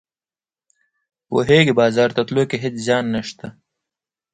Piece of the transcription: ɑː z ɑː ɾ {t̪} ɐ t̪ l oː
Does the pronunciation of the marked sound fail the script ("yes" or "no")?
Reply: no